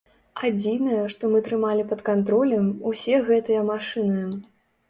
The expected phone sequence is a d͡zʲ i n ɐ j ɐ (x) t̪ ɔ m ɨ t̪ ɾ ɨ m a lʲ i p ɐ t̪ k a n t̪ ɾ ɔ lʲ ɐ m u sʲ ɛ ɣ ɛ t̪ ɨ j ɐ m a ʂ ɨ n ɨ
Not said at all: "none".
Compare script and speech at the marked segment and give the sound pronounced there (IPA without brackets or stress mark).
ʂ